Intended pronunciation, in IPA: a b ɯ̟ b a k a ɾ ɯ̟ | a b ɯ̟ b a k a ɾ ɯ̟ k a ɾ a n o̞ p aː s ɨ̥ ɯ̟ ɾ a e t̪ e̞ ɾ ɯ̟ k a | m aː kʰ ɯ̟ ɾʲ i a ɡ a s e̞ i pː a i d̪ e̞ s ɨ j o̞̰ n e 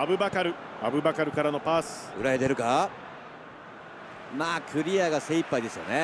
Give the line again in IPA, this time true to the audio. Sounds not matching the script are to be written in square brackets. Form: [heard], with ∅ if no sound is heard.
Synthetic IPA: a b ɯ̟ b a k a ɾ ɯ̟ | a b ɯ̟ b a k a ɾ ɯ̟ k a ɾ a n o̞ p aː s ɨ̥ ɯ̟ ɾ a e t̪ e̞ ɾ ɯ̟ k a | m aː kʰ ɯ̟ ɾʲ i a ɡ a s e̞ i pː a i d̪ e̞ s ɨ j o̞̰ n e